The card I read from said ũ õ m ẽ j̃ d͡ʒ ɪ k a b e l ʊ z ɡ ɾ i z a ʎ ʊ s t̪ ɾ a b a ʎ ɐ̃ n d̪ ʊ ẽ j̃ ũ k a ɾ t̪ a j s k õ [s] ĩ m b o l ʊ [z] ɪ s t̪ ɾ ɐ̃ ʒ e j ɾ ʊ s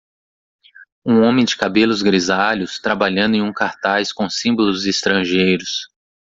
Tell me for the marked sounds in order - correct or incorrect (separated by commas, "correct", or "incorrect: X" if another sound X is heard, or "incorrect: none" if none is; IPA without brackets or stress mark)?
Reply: correct, correct